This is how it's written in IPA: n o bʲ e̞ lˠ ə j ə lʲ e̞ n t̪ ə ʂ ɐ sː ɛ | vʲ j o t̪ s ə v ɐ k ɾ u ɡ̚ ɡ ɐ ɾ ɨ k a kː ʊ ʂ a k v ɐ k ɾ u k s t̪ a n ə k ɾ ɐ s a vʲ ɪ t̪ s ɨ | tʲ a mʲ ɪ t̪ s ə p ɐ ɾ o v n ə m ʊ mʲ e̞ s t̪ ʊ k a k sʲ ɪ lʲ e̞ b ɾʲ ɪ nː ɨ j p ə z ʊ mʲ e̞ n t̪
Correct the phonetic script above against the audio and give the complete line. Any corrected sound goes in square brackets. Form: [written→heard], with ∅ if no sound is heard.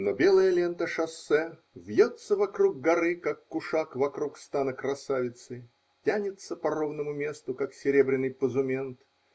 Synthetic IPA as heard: n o bʲ e̞ lˠ ə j ə lʲ e̞ n t̪ ə ʂ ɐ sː ɛ | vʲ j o t̪ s ə v ɐ k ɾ u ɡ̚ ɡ ɐ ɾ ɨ k a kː ʊ ʂ a k v ɐ k ɾ u k s t̪ a n ə k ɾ ɐ s a vʲ ɪ t̪ s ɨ | tʲ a [mʲ→nʲ] ɪ t̪ s ə p ɐ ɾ o v n ə m ʊ mʲ e̞ s t̪ ʊ k a k sʲ ɪ [lʲ→ɾʲ] e̞ b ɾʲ ɪ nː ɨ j p ə z ʊ mʲ e̞ n t̪